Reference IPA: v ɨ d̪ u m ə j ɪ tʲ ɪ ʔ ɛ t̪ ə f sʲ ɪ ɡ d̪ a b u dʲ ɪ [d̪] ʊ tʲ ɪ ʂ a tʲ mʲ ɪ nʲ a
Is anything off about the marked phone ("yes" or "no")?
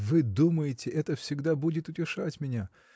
yes